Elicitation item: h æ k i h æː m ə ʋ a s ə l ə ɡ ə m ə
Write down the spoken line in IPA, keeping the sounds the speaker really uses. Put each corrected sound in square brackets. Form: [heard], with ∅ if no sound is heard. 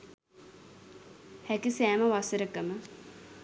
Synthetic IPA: h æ k i [s] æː m ə ʋ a s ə [ɾ] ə [k] ə m ə